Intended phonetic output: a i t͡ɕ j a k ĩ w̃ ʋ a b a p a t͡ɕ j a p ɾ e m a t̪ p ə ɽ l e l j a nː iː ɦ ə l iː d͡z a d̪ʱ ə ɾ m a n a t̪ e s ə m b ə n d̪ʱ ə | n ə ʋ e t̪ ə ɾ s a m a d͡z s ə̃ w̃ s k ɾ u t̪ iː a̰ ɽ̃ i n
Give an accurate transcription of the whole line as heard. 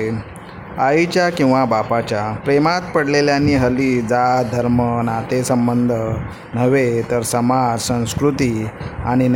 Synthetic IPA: a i t͡ɕ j a k ĩ w̃ ʋ a b a p a t͡ɕ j a p ɾ e m a t̪ p ə ɽ l e l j a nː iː ɦ ə l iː d͡z a d̪ʱ ə ɾ m ə n a t̪ e s ə m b ə n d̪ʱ ə | n ə ʋ e t̪ ə ɾ s ə m a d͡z s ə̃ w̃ s k ɾ u t̪ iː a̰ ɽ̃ i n